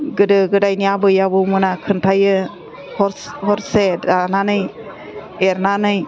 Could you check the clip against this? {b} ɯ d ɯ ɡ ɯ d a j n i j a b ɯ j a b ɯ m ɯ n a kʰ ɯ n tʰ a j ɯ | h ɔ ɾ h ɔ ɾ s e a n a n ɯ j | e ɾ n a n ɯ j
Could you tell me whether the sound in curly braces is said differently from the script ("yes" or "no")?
yes